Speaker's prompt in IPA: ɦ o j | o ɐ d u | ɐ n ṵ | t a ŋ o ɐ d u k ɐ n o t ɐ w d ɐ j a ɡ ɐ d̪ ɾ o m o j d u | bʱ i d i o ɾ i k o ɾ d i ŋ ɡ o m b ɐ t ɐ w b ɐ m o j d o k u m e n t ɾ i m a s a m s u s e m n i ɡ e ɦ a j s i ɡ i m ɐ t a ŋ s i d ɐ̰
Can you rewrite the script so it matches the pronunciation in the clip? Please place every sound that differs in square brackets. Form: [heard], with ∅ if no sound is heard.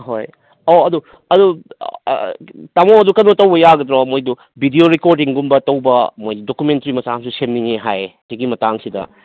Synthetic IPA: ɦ o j | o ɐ d u | ɐ [d] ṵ | t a [m] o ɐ d u k ɐ n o t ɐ w [b] ɐ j a ɡ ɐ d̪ ɾ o m o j d u | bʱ i d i o ɾ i k o ɾ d i ŋ ɡ [u] m b ɐ t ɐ w b ɐ m o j d o k u m e n t ɾ i m [ɐ] s a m s u s e m n i [ŋ] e ɦ a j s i ɡ i m ɐ t a ŋ s i d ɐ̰